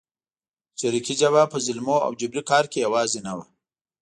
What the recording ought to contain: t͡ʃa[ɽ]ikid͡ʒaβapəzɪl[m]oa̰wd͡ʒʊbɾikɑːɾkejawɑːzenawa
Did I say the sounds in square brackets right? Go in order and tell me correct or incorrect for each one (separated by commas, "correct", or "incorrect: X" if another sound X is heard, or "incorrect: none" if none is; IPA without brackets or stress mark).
incorrect: ɾ, correct